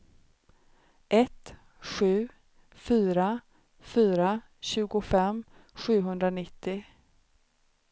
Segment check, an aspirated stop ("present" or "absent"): absent